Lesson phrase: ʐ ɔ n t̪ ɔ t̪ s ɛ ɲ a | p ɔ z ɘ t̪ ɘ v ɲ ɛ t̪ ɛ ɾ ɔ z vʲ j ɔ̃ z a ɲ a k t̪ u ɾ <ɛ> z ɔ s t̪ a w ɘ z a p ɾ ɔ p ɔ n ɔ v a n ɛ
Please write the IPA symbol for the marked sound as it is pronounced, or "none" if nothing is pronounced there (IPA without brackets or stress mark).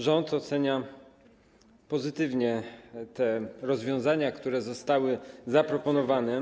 ɛ